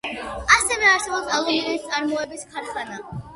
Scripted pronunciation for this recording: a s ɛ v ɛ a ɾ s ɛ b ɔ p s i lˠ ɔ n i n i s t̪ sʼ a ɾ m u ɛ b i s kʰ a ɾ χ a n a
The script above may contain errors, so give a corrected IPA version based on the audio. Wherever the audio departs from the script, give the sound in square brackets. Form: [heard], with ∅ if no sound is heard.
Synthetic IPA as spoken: a s ɛ v ɛ a ɾ s ɛ b ɔ p s [a] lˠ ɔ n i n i s t̪ sʼ a ɾ m [ɔ] ɛ b i s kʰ a ɾ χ a n a